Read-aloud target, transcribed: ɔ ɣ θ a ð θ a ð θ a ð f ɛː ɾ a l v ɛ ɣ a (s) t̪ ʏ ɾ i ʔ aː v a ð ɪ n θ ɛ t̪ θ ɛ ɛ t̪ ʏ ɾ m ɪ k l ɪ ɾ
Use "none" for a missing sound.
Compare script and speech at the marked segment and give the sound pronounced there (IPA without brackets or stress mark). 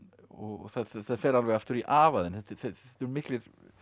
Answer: f